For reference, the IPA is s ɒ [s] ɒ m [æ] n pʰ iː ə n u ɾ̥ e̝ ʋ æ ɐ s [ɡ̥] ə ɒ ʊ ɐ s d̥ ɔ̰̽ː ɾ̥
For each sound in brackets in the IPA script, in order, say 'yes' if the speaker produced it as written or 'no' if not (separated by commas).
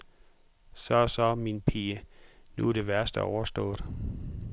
yes, no, no